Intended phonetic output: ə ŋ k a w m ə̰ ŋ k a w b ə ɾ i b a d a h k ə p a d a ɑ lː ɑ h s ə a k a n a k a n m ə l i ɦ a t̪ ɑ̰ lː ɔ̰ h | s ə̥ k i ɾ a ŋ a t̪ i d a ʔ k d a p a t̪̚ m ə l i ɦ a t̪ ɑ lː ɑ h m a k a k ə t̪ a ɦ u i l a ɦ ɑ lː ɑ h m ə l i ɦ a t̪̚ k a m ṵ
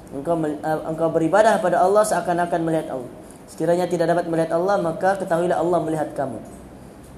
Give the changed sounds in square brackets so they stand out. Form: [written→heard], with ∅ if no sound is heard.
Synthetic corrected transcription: ə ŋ k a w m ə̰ ŋ k a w b ə ɾ i b a d a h k ə p a d a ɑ lː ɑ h s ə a k a n a k a n m ə l i ɦ a t̪ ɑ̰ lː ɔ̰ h | s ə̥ k i ɾ a [ŋ→ɲ] a t̪ i d a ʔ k d a p a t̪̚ m ə l i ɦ a t̪ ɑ lː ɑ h m a k a k ə t̪ a ɦ u i l a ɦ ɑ lː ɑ h m ə l i ɦ a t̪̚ k a m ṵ